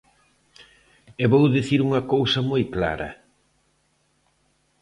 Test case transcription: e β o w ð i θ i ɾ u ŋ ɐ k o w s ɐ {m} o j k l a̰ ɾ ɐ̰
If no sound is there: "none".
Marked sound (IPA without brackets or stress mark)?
m